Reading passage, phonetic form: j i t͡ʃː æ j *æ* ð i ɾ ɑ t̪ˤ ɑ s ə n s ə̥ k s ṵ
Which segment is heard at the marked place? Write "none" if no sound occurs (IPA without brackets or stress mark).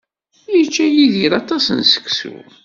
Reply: i